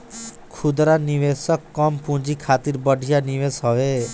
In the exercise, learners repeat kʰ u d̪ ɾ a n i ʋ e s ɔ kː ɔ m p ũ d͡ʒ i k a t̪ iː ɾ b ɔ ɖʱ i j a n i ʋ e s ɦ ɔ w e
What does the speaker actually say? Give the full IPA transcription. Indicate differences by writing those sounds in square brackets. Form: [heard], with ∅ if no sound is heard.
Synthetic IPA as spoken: kʰ u d̪ ɾ a n i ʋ e s ɔ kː ɔ m p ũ d͡ʒ i [kʰ] a t̪ [i] ɾ b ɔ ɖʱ i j a n i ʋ e s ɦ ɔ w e